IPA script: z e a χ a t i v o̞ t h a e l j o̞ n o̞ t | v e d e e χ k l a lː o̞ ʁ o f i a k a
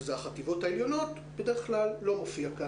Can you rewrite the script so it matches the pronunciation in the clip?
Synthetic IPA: z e a χ a t i v o̞ t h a e l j o̞ n o̞ t | b e d e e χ k l a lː o̞ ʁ o f i a k a

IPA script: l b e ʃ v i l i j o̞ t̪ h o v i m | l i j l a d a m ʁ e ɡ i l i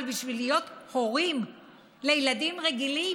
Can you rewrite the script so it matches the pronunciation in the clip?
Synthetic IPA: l b i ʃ v i l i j o̞ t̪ h o ʁ i m | l e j l a d i m ʁ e ɡ i l i

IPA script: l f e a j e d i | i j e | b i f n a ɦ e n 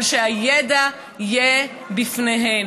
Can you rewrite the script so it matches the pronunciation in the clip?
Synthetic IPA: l ʃ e a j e d a | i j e | b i f n e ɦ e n

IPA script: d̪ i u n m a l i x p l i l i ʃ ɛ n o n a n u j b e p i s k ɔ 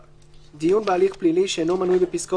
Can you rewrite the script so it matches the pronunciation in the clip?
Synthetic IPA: d̪ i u n b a l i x p l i l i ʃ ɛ n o m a n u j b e p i s k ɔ

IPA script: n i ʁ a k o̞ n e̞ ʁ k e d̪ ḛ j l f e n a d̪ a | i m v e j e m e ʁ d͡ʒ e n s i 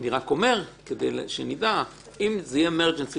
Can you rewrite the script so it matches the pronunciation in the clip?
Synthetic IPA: n i ʁ a k o̞ m e̞ ʁ k e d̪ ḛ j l ʃ e n i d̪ a | i m z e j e m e ʁ d͡ʒ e n s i

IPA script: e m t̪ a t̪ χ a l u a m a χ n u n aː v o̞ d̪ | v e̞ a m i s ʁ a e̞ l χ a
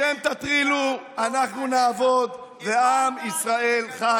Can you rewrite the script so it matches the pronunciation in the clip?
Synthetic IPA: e m t̪ a t̪ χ i l u a n a χ n u n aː v o̞ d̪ | v e̞ a m i s ʁ a e̞ l χ a

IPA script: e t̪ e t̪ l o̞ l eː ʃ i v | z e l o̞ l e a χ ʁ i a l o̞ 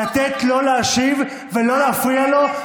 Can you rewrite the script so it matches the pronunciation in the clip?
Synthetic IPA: a t̪ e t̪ l o̞ l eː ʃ i v | v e l o̞ l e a f ʁ i a l o̞

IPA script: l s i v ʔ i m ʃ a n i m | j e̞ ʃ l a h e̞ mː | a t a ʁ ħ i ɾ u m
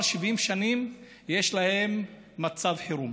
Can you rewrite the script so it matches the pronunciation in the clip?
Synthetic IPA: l ʃ i v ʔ i m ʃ a n i m | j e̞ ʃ l a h e̞ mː | a t͡s a v ħ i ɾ u m

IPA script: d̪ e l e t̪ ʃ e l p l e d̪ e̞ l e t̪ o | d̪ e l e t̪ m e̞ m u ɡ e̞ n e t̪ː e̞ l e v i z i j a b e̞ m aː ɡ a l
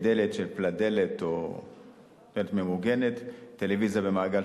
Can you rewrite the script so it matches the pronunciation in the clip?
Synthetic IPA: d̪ e l e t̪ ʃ e l p l a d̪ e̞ l e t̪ o | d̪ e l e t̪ m e̞ m u ɡ e̞ n e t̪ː e̞ l e v i z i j a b e̞ m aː ɡ a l

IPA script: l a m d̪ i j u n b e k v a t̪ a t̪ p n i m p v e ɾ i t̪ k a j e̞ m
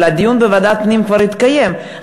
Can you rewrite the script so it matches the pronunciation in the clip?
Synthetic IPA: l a d̪ i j u n b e v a d̪ a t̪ p n i m k v a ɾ i t̪ k a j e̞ m

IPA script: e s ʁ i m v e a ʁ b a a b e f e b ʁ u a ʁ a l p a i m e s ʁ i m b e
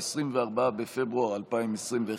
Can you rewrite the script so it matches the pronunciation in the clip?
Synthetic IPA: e s ʁ i m v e a ʁ b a a b e f e b ʁ u a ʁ a l p a i m e s ʁ i m v e

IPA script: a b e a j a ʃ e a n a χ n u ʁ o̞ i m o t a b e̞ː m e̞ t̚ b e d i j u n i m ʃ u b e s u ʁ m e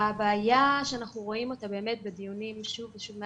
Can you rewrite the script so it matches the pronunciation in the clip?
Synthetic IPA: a b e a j a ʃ e a n a χ n u ʁ o̞ i m o t a b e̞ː m e̞ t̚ b e d i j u n i m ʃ u v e ʃ u v m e

